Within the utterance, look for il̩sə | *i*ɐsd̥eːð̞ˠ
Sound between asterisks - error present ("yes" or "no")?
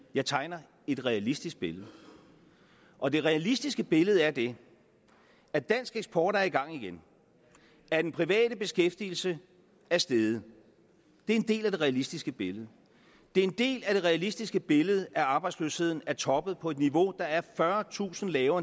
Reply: yes